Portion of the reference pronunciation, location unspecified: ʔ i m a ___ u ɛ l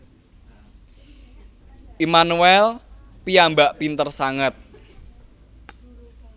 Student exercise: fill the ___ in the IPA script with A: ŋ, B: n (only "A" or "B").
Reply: B